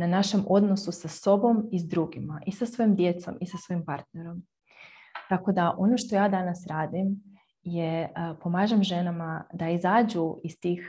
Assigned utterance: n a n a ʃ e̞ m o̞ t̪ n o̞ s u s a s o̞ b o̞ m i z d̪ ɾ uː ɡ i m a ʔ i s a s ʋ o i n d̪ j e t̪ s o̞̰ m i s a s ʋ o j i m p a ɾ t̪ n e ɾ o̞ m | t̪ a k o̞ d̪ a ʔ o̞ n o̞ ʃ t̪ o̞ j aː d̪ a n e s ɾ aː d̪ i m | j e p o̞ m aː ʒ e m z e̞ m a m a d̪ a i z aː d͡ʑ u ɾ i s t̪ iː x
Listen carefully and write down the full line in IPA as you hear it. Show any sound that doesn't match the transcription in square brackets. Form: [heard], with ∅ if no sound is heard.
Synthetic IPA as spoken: n a n a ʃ e̞ m o̞ [d̪] n o̞ s u s a s o̞ b o̞ m i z d̪ ɾ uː ɡ i m a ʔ i s a s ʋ o i [m] d̪ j e t̪ s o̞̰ m i s a s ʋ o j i m p a ɾ t̪ n e ɾ o̞ m | t̪ a k o̞ d̪ a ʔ o̞ n o̞ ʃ t̪ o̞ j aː d̪ a n [a] s ɾ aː d̪ i m | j e p o̞ m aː ʒ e m [ʒ] e̞ [n] a m a d̪ a i z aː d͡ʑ u [∅] i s t̪ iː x